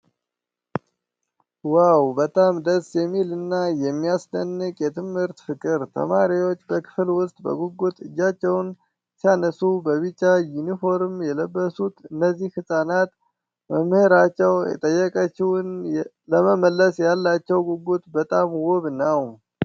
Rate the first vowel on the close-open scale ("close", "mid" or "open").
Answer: open